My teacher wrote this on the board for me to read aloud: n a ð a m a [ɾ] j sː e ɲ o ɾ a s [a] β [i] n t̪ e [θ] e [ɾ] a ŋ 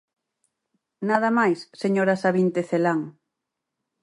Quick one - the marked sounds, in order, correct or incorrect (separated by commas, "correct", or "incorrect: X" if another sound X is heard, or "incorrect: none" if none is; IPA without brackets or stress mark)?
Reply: incorrect: none, correct, correct, correct, incorrect: l